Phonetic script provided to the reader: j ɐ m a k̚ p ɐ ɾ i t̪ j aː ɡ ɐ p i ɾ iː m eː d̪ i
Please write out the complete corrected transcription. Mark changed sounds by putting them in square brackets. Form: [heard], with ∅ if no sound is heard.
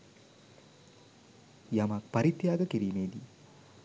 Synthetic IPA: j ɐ m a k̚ p ɐ ɾ i t̪ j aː ɡ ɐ [k] i ɾ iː m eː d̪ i